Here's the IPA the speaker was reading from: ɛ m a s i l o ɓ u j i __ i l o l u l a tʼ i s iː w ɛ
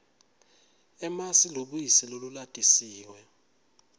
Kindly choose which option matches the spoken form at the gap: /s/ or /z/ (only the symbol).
s